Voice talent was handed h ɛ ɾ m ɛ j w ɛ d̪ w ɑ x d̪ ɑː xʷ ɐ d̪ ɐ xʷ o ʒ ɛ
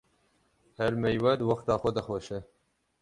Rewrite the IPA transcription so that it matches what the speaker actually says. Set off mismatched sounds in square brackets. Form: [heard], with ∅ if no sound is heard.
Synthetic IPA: h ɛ ɾ m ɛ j w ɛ d̪ w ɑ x [t̪] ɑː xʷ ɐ d̪ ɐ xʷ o [ʃ] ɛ